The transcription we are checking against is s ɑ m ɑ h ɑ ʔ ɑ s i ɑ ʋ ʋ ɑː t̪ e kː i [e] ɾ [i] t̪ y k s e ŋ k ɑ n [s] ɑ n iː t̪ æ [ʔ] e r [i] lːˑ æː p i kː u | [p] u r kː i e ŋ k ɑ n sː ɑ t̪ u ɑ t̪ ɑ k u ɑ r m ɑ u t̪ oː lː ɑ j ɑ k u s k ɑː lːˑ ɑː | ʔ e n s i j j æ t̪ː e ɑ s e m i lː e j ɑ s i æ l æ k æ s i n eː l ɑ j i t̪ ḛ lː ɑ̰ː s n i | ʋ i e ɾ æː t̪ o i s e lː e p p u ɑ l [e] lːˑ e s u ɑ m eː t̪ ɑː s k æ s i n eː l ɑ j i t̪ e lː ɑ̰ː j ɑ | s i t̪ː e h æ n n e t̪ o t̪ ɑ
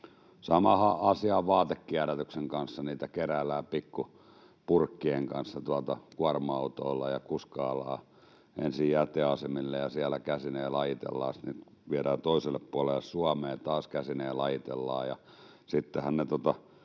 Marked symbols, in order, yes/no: no, no, no, no, no, yes, yes

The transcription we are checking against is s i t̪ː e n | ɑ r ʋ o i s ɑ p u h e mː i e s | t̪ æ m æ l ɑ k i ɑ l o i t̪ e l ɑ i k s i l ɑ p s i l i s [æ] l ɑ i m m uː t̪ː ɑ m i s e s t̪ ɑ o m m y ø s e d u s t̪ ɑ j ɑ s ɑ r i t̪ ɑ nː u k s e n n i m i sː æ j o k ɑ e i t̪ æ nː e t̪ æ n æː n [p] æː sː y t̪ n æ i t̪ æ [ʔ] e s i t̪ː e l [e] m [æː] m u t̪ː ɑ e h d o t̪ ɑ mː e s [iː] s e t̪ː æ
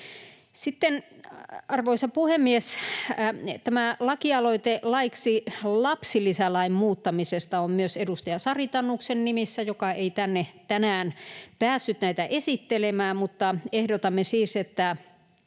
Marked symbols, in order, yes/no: yes, yes, yes, yes, yes, yes

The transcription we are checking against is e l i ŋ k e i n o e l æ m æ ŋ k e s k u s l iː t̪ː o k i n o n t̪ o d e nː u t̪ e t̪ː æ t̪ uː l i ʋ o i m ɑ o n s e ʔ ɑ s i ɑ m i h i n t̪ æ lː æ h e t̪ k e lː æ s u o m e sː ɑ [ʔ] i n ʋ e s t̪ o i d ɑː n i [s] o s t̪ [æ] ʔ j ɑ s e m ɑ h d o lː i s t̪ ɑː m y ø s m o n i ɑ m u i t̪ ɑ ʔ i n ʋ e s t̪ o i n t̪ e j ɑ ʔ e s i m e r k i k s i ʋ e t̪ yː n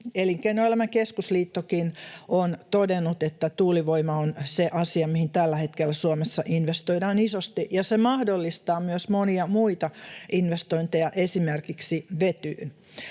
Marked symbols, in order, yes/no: yes, yes, no

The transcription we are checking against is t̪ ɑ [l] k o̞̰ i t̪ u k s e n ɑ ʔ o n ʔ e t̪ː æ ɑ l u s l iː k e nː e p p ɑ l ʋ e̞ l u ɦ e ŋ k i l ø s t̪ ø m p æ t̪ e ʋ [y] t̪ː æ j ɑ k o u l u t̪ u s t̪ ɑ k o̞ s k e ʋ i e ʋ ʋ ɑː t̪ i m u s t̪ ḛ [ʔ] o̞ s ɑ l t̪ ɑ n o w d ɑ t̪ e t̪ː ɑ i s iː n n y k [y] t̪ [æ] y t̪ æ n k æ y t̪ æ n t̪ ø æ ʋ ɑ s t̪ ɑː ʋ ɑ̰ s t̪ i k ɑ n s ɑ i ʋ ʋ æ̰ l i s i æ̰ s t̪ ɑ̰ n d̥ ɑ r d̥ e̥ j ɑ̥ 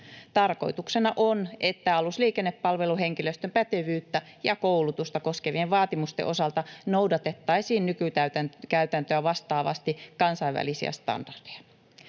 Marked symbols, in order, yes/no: no, no, yes, yes, yes

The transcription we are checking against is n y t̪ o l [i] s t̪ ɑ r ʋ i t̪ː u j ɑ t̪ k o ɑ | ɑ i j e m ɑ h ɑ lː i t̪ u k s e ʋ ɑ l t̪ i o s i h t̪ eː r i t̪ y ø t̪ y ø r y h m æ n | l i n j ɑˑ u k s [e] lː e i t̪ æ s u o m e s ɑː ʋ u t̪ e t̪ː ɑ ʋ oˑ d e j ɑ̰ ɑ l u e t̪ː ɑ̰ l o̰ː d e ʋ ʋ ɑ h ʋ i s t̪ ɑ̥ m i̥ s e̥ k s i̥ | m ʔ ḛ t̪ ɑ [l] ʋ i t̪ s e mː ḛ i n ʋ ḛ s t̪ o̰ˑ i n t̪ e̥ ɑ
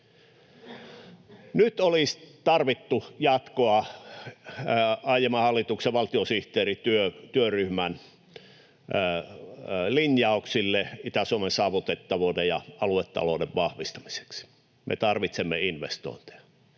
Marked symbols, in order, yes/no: yes, no, no

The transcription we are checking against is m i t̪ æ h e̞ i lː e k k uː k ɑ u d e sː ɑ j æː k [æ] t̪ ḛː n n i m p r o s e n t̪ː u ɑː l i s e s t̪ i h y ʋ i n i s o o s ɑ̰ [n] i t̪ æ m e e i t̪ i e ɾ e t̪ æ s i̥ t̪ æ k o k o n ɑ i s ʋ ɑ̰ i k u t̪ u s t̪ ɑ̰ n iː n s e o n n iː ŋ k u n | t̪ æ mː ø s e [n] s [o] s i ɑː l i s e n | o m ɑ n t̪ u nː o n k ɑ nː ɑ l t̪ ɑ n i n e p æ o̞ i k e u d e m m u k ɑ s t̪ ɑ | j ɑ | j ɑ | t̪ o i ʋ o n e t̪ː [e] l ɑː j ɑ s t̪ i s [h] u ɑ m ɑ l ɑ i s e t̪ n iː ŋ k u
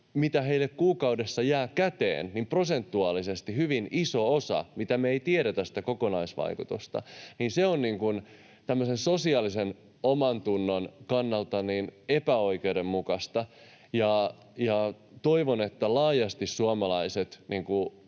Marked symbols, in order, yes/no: yes, no, yes, yes, no, no

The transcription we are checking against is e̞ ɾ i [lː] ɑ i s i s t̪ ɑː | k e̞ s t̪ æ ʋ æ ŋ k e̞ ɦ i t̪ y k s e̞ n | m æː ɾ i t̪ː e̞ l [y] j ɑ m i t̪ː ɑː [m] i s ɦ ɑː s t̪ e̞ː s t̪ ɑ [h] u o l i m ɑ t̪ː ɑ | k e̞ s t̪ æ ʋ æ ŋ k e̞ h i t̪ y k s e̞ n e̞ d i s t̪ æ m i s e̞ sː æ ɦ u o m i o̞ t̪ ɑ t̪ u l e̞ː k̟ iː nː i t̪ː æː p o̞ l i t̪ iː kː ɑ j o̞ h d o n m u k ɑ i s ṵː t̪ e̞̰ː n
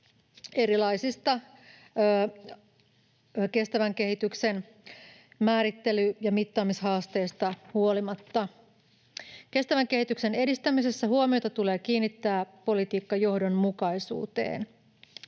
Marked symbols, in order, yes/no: no, yes, yes, yes

